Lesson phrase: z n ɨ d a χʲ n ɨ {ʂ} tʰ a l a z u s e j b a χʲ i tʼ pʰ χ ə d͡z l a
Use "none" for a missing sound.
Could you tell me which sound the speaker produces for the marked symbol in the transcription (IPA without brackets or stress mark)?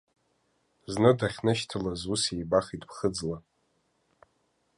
ʃ